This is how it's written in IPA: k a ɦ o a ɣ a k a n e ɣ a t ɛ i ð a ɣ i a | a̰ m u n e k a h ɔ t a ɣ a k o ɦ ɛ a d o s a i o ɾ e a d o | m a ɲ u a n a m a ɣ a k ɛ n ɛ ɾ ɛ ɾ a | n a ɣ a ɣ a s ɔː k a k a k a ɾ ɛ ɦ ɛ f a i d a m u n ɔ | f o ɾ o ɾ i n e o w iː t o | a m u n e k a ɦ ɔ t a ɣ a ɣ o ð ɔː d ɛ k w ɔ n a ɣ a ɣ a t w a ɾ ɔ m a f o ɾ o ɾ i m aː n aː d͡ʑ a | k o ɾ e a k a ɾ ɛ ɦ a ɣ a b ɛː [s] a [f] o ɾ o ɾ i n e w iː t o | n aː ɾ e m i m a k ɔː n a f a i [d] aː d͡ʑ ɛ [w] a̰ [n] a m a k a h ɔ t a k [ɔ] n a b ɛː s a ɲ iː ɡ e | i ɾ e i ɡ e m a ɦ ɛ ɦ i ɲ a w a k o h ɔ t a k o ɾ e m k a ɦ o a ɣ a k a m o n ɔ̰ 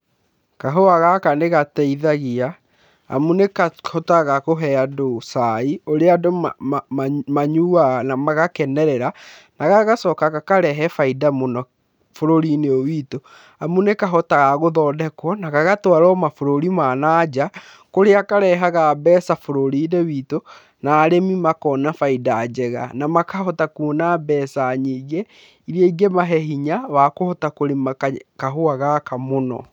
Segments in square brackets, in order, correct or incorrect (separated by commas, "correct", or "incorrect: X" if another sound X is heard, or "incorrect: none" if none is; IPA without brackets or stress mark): correct, correct, correct, incorrect: ɣ, correct, incorrect: u